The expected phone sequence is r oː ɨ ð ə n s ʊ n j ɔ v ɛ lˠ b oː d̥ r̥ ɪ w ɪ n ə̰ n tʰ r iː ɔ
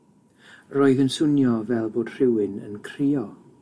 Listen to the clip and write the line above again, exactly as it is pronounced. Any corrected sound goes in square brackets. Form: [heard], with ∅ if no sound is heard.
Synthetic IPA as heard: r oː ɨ ð ə n s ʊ n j ɔ v ɛ lˠ b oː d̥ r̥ ɪ w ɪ n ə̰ n [kʰ] r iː ɔ

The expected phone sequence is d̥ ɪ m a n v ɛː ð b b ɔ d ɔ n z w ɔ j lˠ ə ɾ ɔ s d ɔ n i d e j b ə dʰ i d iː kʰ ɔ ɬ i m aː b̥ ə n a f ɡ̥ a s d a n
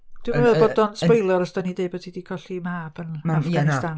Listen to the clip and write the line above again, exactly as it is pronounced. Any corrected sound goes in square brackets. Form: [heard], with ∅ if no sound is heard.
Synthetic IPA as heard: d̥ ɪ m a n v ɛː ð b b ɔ d ɔ n [s] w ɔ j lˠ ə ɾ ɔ s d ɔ n i d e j b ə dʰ i d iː kʰ ɔ ɬ i m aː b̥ ə n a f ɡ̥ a s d a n

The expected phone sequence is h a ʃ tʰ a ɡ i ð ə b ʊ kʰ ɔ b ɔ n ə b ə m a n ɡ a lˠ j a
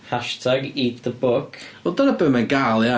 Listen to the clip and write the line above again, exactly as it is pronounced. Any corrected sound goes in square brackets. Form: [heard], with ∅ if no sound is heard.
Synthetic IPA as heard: h a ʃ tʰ a ɡ i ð ə b ʊ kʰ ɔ [d] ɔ n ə b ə m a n ɡ a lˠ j a

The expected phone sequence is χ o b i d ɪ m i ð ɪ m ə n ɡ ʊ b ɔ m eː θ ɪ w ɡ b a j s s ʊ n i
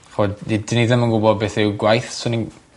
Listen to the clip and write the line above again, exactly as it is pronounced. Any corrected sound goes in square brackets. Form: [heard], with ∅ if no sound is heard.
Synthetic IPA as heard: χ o [d] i d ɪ [n] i ð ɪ m ə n ɡ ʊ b ɔ [b] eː θ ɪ w ɡ [w] a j [θ] s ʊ n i

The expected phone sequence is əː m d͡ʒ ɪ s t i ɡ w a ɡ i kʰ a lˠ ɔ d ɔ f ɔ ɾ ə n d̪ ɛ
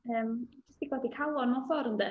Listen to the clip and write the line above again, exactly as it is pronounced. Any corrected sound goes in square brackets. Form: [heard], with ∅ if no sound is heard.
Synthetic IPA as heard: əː m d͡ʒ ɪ s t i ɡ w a [d] i kʰ a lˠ ɔ [n] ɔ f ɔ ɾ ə n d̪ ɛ

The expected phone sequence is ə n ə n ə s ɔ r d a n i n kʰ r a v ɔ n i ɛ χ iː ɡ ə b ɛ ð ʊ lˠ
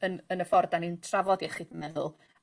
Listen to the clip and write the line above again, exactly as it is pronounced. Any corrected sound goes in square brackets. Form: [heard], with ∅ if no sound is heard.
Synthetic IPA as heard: ə n ə n ə [f] ɔ r d a n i n [tʰ] r a v ɔ [d] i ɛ χ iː [d] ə [m] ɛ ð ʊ lˠ

